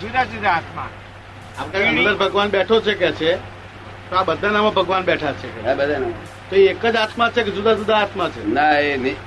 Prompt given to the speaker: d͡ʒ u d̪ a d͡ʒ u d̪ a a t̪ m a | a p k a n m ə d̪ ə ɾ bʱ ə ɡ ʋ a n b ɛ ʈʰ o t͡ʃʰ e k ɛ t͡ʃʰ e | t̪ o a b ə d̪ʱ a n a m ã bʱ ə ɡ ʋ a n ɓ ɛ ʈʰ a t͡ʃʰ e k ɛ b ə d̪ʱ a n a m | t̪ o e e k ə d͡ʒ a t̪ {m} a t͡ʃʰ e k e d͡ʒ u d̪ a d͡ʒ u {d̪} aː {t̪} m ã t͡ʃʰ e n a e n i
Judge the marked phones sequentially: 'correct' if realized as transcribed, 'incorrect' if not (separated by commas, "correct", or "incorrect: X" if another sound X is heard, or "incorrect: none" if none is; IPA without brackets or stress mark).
correct, correct, correct